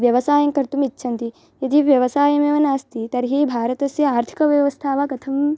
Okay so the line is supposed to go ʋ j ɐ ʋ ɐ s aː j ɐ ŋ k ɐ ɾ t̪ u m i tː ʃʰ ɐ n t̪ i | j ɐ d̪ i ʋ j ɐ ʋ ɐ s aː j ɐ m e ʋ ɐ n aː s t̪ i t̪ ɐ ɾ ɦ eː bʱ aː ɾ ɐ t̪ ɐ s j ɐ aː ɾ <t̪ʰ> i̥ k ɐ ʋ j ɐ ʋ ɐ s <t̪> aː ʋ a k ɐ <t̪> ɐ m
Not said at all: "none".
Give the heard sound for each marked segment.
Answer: t̪ʰ, t̪ʰ, t̪ʰ

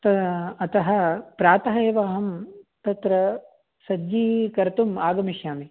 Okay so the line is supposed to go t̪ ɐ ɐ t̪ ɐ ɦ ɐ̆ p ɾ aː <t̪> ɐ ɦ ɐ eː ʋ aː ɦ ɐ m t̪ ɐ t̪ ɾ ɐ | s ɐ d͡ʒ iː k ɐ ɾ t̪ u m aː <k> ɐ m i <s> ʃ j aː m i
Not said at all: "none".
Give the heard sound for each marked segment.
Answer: t̪, ɡ, none

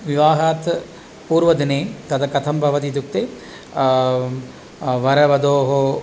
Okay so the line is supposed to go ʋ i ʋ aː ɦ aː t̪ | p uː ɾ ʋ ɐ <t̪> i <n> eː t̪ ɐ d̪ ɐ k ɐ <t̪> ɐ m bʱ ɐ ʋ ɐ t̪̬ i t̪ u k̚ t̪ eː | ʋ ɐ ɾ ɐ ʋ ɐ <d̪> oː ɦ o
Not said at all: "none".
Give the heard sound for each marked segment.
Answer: d̪, n, t̪ʰ, d̪

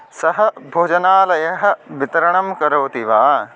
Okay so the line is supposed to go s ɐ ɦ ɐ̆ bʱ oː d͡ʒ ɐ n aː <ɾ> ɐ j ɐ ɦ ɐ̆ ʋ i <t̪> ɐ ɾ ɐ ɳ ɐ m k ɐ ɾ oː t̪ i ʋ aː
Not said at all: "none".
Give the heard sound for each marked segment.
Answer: l, t̪

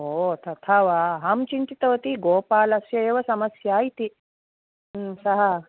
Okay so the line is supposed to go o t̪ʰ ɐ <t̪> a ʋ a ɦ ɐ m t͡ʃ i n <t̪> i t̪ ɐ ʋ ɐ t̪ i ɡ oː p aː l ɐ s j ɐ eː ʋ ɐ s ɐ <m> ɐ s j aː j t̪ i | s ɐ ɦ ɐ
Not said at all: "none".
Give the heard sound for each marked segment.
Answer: t̪ʰ, t̪, m

